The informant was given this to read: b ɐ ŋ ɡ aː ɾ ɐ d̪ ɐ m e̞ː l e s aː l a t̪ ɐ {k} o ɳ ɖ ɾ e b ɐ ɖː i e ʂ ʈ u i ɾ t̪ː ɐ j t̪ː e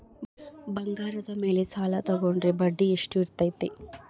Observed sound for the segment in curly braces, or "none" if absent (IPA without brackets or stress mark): ɡ